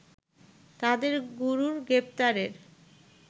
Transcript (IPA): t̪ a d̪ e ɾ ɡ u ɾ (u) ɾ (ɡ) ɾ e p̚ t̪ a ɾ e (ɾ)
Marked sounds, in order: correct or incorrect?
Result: correct, correct, correct

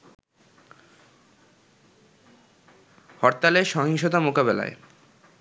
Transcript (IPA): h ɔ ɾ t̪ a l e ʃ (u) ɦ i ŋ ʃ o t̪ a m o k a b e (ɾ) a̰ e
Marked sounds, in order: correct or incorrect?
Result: incorrect: ɔ, incorrect: l

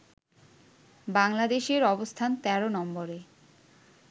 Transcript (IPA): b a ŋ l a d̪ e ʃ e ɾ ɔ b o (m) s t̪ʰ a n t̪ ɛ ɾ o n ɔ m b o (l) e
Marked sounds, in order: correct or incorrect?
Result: incorrect: none, incorrect: ɾ

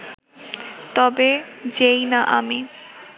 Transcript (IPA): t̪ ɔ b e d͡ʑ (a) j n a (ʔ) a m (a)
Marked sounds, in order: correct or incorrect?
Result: incorrect: e, correct, incorrect: i

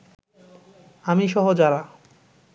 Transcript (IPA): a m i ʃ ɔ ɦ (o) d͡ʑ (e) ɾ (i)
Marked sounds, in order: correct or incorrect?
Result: correct, incorrect: a, incorrect: a

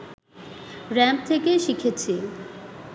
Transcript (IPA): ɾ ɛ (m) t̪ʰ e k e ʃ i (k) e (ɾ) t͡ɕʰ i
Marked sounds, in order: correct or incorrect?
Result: correct, incorrect: kʰ, incorrect: none

